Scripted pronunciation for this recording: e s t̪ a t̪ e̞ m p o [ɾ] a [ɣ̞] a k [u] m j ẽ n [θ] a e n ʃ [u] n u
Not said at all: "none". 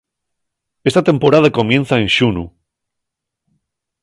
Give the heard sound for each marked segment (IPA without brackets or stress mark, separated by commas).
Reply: ɾ, ð̞, o, θ, u